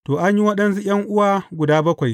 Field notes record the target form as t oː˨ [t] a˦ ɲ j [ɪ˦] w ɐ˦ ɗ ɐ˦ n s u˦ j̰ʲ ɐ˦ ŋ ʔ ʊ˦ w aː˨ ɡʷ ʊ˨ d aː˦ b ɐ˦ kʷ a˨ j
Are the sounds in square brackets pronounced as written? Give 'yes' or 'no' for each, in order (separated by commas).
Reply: no, no